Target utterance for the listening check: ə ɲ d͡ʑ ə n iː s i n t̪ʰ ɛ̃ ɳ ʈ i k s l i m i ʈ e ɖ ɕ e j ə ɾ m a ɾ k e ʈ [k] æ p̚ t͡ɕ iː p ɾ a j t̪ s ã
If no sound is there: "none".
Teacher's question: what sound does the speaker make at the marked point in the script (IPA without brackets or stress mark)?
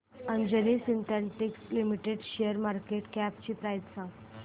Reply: k